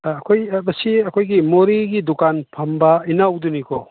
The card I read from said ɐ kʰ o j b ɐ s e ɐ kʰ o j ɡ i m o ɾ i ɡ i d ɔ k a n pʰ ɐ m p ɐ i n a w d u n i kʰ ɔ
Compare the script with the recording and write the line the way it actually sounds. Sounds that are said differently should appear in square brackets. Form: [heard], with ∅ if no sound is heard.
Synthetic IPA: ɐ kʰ o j b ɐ s [i] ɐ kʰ o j ɡ i m o ɾ i ɡ i d [u] k a n pʰ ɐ m [b] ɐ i n a w d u n i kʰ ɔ